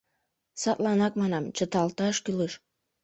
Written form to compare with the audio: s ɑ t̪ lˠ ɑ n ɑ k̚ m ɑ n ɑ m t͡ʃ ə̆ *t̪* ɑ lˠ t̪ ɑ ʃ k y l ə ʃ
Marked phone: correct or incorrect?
correct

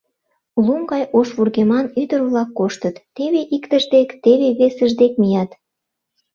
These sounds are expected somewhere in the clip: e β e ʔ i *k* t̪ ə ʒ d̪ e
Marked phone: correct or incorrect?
correct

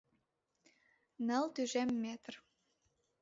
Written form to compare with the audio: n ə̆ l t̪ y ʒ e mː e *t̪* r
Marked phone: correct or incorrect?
correct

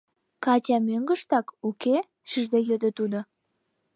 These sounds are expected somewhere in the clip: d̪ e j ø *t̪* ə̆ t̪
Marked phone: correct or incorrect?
incorrect: d̪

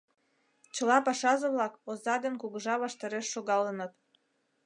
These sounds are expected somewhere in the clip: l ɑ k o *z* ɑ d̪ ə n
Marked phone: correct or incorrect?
correct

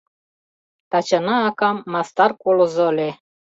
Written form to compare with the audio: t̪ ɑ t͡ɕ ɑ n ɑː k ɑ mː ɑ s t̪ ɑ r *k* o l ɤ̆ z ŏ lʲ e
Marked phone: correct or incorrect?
correct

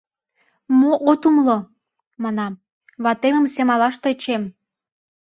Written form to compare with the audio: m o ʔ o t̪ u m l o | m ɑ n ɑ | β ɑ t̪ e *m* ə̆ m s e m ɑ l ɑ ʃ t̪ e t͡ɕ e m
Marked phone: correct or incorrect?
correct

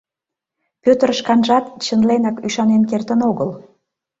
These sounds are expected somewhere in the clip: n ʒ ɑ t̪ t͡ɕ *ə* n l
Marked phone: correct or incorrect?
correct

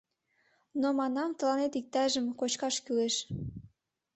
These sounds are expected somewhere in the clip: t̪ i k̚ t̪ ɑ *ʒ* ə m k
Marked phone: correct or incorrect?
correct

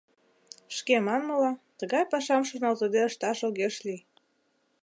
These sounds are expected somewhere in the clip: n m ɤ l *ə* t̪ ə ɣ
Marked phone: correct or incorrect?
incorrect: ɑ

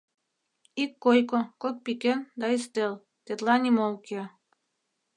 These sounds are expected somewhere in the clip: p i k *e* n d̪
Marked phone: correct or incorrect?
correct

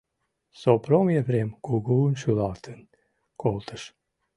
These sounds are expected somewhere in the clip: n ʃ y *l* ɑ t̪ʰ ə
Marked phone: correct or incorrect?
correct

